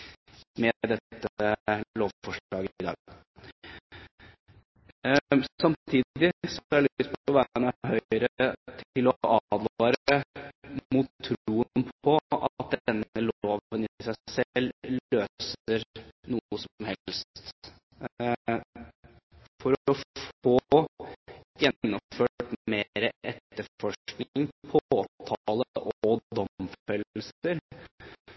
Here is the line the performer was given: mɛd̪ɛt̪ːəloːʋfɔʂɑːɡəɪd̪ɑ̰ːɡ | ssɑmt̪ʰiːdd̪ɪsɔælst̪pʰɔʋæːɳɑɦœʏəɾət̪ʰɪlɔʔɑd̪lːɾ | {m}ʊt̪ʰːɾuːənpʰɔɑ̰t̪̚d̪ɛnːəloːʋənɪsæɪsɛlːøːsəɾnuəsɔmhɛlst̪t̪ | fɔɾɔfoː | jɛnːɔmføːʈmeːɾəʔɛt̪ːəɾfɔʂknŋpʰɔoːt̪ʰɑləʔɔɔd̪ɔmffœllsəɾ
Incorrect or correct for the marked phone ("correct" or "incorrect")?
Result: correct